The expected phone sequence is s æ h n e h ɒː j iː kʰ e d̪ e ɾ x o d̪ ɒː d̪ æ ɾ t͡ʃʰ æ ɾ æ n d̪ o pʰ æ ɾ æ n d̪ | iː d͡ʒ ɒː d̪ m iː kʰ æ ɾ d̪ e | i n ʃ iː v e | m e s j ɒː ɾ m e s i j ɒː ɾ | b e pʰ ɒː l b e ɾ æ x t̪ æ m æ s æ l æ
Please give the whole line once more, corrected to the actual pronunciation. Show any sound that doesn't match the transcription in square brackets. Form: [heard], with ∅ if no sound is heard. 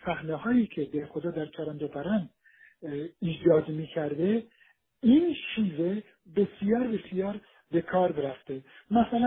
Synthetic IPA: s æ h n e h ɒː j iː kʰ e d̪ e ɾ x o d̪ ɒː d̪ æ ɾ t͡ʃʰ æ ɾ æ n d̪ o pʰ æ ɾ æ n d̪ | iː d͡ʒ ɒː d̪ m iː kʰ æ ɾ d̪ e | i n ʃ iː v e | [b] e s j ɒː ɾ [b] e s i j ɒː ɾ | b e [kʰ] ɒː [ɾ] b e ɾ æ [f] t̪ [e] m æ s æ l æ